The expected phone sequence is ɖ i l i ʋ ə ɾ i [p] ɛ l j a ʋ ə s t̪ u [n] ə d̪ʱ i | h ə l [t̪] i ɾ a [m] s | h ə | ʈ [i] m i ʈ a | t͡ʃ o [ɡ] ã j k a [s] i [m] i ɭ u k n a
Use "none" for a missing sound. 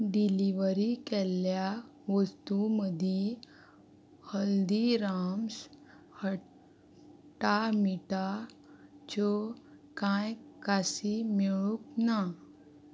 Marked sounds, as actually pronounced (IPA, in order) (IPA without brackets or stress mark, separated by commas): k, m, d̪, m, a, k, s, m